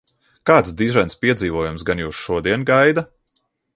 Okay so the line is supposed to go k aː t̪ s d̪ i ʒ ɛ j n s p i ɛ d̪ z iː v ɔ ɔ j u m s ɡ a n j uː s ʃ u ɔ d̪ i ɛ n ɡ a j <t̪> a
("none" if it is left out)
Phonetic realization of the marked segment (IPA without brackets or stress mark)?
d̪